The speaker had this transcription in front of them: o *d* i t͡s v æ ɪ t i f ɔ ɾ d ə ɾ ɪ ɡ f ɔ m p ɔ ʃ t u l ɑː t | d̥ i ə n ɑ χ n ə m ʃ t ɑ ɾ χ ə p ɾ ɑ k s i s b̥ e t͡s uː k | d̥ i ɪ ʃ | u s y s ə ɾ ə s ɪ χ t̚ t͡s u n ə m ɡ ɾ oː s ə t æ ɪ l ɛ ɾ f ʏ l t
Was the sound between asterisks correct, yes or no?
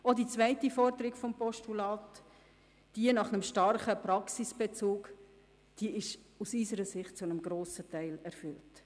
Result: yes